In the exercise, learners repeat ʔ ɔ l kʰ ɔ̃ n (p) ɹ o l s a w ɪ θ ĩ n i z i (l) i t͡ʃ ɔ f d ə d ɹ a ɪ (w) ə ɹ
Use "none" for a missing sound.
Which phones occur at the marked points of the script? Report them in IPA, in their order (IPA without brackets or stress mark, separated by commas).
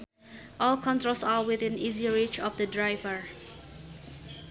t, ɹ, v